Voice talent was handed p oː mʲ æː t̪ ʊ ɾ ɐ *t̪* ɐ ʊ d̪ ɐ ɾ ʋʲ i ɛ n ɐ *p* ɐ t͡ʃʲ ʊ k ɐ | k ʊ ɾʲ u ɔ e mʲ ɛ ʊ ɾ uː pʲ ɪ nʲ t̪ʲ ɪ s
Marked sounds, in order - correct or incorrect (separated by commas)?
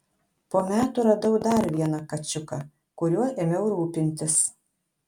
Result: incorrect, incorrect